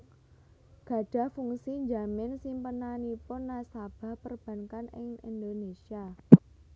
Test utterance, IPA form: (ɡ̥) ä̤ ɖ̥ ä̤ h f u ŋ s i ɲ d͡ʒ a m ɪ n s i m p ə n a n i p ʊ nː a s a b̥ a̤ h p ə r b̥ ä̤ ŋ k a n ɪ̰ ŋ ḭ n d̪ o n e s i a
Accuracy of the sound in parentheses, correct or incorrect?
correct